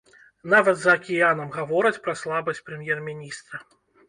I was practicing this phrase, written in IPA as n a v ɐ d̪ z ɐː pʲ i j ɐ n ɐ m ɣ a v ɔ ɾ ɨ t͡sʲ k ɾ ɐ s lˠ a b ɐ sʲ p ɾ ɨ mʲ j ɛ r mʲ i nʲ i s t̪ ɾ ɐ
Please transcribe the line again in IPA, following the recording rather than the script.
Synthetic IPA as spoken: n a v ɐ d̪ z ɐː kʲ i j a n ɐ m ɣ a v ɔ ɾ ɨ t͡sʲ p ɾ ɐ s lˠ a b ɐ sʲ p ɾ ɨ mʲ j ɛ r mʲ i nʲ i s t̪ ɾ ɐ